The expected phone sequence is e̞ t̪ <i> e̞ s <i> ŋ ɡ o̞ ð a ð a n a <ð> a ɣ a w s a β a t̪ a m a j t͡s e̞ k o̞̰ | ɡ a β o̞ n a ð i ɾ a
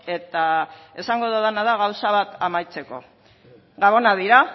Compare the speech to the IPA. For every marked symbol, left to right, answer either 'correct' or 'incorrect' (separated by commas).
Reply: incorrect, incorrect, correct